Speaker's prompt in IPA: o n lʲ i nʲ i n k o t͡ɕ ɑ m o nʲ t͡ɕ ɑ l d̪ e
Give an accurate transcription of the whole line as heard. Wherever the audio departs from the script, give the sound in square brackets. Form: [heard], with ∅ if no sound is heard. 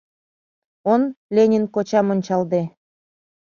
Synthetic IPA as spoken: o n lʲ [e] nʲ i n k o t͡ɕ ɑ m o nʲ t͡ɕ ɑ l d̪ e